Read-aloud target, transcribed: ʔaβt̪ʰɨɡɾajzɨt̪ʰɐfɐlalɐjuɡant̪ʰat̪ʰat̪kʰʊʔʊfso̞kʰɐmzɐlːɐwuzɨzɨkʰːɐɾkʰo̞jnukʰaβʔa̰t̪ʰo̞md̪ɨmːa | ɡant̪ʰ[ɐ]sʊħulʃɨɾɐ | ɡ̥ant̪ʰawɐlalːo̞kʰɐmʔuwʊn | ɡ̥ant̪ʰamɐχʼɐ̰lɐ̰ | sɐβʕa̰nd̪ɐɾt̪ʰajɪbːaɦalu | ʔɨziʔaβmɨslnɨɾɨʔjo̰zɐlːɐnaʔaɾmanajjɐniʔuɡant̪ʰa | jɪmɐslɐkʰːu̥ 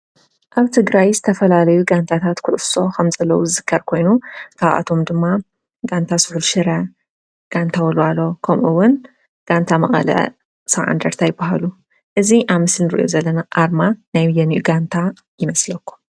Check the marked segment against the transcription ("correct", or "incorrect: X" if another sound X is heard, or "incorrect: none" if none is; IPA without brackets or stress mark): incorrect: a